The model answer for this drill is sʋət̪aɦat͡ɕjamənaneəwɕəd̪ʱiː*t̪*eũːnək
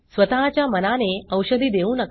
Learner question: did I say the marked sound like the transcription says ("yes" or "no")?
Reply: no